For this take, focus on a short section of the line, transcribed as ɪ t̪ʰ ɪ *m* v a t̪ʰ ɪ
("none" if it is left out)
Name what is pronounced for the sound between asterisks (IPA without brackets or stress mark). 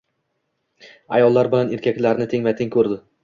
ŋ